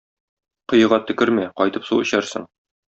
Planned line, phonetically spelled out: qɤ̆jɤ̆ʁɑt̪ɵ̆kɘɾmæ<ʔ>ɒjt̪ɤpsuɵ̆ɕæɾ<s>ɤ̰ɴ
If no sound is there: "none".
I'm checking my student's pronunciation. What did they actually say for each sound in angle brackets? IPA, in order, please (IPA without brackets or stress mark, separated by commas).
q, s